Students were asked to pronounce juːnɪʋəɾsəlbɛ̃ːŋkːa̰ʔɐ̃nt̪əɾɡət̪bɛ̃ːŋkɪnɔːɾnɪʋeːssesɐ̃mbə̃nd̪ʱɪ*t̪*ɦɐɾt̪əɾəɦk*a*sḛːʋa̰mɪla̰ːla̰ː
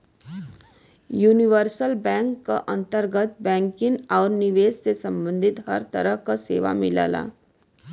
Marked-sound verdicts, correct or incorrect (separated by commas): correct, correct